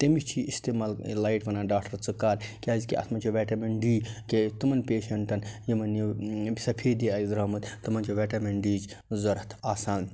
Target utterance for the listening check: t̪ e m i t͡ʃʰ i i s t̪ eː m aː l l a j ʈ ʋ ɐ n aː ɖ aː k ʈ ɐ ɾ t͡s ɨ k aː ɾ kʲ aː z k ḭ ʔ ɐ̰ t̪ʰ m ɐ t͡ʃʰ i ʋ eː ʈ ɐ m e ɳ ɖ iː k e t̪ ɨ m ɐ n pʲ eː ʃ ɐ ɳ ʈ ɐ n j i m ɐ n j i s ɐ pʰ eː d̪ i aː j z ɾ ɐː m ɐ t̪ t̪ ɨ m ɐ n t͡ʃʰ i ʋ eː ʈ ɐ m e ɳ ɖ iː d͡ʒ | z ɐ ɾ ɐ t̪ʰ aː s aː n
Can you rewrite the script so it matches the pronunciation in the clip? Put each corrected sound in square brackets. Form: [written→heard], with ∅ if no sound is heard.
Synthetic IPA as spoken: t̪ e m i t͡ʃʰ i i s t̪ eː m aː l l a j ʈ ʋ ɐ n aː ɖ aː k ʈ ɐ ɾ t͡s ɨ k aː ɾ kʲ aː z k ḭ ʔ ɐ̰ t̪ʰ m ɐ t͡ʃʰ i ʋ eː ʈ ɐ m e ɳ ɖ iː k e t̪ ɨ m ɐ n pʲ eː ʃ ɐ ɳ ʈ ɐ n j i m ɐ n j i s ɐ pʰ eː d̪ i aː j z ɾ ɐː m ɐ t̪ t̪ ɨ m ɐ n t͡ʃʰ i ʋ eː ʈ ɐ m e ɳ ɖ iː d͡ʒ | z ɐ ɾ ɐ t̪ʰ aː s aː n